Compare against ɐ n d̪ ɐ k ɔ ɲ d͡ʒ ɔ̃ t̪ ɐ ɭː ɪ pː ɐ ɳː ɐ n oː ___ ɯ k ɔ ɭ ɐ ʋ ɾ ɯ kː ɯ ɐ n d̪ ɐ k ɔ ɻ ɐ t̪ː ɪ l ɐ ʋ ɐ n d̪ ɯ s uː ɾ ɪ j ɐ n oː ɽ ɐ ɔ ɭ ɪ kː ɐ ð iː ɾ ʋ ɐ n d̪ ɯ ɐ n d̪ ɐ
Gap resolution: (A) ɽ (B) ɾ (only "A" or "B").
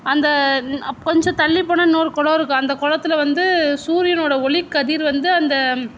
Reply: B